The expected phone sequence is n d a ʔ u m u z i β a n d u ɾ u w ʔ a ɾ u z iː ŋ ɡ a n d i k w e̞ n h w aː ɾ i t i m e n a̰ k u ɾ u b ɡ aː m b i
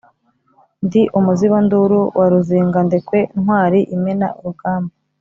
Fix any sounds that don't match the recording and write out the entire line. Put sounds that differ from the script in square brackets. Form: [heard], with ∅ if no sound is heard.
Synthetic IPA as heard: n d [i] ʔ u m u z i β a n d u ɾ u w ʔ a ɾ u z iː ŋ ɡ a n d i k w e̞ n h w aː ɾ i [ʔ] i m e n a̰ [∅] u ɾ u [∅] ɡ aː m b [a]